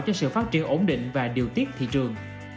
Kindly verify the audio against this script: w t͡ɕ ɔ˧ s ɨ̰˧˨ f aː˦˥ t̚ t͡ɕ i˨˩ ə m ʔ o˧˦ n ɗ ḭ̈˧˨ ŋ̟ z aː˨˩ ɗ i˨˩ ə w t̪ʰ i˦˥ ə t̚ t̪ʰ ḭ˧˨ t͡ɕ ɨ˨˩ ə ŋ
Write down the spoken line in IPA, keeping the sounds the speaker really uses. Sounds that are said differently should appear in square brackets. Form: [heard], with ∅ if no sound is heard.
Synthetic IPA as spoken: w t͡ɕ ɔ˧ s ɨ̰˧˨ f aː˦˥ t̚ t͡ɕ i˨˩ ə [n] ʔ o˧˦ n ɗ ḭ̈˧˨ ŋ̟ [v] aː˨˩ ɗ i˨˩ ə w [t̪] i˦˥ ə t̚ t̪ʰ ḭ˧˨ t͡ɕ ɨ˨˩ ə ŋ